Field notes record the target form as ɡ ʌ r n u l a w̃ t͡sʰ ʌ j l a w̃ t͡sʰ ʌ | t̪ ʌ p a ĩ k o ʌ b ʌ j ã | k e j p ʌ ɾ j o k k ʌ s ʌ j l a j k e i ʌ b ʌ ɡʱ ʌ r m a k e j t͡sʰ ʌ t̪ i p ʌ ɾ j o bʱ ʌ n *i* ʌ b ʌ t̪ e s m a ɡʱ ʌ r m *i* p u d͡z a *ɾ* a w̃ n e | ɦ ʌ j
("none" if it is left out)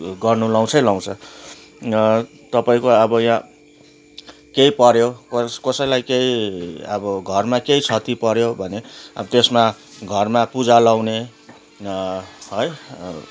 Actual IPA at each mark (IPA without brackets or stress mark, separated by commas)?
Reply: e, a, l